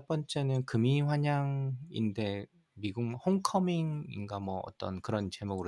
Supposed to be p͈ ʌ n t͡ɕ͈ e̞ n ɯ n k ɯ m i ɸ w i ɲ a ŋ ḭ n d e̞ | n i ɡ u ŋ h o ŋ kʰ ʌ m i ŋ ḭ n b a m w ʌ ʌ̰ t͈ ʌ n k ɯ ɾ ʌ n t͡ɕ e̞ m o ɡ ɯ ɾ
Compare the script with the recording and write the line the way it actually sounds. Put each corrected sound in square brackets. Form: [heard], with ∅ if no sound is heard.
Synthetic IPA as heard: p͈ ʌ n t͡ɕ͈ e̞ n ɯ n k ɯ m i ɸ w [a] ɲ a ŋ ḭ n d e̞ | [m] i ɡ u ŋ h o ŋ kʰ ʌ m i ŋ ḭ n [ɡ] a m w ʌ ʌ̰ t͈ ʌ n k ɯ ɾ ʌ n t͡ɕ e̞ m o ɡ ɯ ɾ